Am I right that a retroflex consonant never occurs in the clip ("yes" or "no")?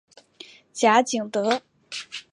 yes